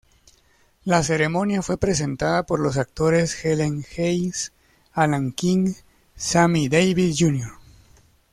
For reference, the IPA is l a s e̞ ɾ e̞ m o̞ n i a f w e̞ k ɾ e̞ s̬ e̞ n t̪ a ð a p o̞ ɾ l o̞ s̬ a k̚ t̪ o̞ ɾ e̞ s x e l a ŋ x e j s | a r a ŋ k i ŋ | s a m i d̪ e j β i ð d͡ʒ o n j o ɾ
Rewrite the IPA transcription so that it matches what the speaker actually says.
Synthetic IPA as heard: l a s e̞ ɾ e̞ m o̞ n j a f w e̞ p ɾ e̞ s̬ e̞ n t̪ a ð a p o̞ ɾ l o̞ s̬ a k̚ t̪ o̞ ɾ e̞ s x e l e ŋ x e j s | a l a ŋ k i ŋ | s a m i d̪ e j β i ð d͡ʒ u n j o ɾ